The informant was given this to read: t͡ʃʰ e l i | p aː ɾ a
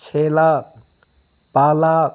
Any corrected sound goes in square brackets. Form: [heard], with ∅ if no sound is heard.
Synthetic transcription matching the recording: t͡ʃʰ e l [a] | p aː [l] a